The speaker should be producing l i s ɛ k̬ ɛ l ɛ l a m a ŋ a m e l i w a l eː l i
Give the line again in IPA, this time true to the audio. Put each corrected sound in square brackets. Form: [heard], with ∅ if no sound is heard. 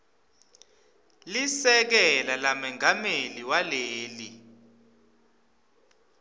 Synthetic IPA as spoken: l i s ɛ k̬ ɛ l [a] l a m [ɛ] ŋ a m e l i w a l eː l i